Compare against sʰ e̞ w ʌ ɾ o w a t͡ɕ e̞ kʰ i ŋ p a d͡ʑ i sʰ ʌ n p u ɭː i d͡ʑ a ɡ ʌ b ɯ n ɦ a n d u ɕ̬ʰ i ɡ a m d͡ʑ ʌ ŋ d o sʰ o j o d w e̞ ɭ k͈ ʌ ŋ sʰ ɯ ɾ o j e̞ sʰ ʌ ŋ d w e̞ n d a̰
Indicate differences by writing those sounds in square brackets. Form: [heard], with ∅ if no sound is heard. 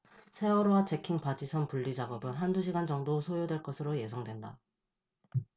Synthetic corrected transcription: sʰ e̞ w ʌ ɾ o w a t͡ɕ e̞ kʰ i ŋ p a d͡ʑ i sʰ ʌ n p u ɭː i d͡ʑ a ɡ ʌ b ɯ n ɦ a n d u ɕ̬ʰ i ɡ a [n] d͡ʑ ʌ ŋ d o sʰ o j o d w e̞ ɭ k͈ ʌ [∅] sʰ ɯ ɾ o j e̞ sʰ ʌ ŋ d w e̞ n d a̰